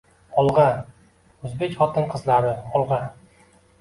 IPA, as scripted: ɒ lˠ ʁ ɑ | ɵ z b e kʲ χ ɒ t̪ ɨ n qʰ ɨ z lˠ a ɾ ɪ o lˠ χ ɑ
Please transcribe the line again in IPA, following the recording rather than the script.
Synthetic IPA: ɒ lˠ ʁ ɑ | ɵ z b e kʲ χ ɒ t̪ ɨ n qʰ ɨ z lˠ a ɾ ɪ ɒ lˠ ʁ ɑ

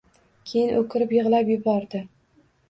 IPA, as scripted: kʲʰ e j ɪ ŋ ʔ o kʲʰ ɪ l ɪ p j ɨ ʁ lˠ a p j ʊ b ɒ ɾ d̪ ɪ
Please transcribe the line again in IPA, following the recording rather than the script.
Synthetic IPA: kʲʰ e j ɪ n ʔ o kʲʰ ɪ ɾ ɪ p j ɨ ʁ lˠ a p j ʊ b ɒ ɾ d̪ ɪ

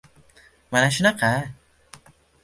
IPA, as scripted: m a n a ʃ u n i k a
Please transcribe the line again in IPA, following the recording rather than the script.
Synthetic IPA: m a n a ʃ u n a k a

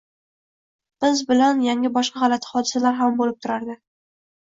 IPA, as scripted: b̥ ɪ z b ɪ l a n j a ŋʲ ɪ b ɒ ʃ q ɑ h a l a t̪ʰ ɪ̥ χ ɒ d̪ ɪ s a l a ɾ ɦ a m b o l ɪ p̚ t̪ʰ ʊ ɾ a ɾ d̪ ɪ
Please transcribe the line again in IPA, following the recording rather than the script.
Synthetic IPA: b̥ ɪ z b ɪ l a n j a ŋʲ ɪ b ɒ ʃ q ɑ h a l a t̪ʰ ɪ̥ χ ɒ d̪ ɪ s a l a ɾ ɦ a m b o l ɪ p̚ t̪ʰ ʊ ɾ a ɾ d̪ ɪ

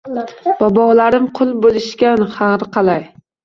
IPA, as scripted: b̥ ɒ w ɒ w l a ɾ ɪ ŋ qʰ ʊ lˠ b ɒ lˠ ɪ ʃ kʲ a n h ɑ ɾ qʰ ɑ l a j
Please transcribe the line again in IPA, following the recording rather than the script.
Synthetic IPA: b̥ ɒ b ɒ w l a ɾ ɪ m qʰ ʊ lˠ b o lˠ ɪ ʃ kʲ a n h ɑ ɾ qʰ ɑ l a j

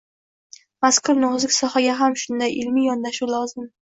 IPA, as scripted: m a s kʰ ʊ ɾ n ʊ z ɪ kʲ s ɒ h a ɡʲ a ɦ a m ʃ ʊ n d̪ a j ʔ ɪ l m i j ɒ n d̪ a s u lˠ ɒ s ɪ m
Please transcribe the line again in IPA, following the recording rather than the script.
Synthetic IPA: m a s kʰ ʊ ɾ n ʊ z ɪ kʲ s ɒ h a ɡʲ a ɦ a m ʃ ʊ n d̪ a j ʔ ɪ l m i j ɒ n d̪ a ʃ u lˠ ɒ z ɪ m

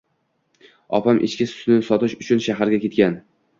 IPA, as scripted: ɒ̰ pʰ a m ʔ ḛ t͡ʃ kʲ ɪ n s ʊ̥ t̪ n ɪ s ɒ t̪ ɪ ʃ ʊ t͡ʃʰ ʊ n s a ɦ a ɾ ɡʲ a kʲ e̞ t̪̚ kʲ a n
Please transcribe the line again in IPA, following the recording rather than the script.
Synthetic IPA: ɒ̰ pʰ a m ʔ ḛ t͡ʃ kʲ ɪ s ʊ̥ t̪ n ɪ s ɒ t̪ ɪ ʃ ʊ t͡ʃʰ ʊ n ʃ a ɦ a ɾ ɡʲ a kʲ e̞ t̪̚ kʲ a n

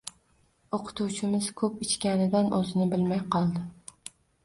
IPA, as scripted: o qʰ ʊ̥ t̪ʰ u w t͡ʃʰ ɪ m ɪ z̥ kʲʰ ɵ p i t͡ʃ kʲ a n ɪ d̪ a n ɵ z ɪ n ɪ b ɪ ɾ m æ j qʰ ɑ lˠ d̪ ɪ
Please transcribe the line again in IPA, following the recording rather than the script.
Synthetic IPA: o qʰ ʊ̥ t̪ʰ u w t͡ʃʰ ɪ m ɪ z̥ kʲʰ ɵ p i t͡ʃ kʲ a n ɪ d̪ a n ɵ z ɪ n ɪ b ɪ l m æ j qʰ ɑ lˠ d̪ ɪ

